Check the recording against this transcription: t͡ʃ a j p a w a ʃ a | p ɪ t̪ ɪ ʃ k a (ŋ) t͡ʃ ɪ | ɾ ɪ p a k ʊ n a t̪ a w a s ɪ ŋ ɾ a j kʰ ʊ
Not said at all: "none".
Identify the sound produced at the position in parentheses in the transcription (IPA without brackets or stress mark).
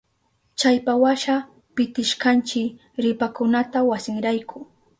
n